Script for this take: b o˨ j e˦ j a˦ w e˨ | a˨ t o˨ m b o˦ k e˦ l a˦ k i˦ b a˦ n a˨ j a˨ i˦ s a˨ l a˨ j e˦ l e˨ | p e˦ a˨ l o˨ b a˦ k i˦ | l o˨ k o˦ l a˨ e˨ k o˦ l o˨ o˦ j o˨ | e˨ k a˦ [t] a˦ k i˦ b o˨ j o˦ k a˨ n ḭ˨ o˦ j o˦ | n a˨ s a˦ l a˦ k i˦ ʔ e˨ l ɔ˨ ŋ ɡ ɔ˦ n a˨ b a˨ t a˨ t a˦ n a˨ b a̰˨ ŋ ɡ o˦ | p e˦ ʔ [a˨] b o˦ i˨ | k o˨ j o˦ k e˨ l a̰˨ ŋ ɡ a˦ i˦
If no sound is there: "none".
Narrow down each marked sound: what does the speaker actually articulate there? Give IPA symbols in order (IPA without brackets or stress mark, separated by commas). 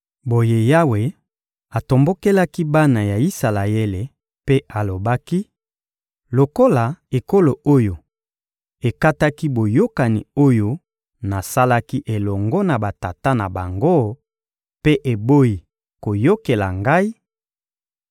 t, e˨